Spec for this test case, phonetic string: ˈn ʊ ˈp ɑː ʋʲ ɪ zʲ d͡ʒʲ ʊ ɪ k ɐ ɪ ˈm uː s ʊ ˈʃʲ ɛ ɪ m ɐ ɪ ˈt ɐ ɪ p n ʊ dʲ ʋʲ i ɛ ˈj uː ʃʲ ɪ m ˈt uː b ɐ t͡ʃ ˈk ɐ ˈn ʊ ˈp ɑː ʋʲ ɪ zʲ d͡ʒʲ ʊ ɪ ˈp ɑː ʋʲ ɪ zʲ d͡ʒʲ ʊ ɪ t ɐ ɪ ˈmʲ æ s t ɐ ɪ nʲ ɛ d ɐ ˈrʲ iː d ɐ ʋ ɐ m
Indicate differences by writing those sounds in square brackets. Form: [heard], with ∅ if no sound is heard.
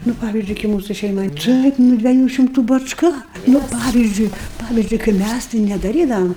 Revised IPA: ˈn ʊ ˈp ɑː ʋʲ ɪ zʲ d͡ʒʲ ʊ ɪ k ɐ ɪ ˈm uː s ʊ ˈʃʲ ɛ ɪ m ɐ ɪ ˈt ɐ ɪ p n ʊ dʲ ʋʲ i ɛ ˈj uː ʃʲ ɪ m ˈt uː b ɐ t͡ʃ ˈk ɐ ˈn ʊ ˈp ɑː ʋʲ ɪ zʲ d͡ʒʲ ʊ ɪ ˈp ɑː ʋʲ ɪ zʲ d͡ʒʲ ʊ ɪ [k] ɐ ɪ ˈmʲ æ s t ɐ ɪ nʲ ɛ d ɐ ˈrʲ iː d ɐ ʋ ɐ m